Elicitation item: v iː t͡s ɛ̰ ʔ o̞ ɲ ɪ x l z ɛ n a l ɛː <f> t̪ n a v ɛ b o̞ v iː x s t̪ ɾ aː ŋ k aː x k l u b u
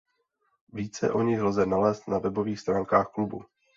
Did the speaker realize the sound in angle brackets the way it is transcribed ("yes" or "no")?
no